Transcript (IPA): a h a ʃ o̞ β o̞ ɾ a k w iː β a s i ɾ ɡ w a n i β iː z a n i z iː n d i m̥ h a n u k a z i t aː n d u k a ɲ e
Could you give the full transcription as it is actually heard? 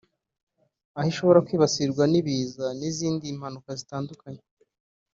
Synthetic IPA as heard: a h i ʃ o̞ β o̞ ɾ a k w iː β a s i ɾ ɡ w a n i β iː z a n i z iː n d i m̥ h a n u k a z i t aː n d u k a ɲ e